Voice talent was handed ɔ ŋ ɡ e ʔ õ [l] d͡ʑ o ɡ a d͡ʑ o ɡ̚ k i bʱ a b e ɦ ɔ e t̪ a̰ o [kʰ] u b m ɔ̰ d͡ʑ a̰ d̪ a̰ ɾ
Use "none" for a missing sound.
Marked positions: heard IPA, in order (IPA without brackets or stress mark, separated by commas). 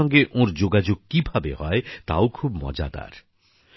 ɾ, kʰ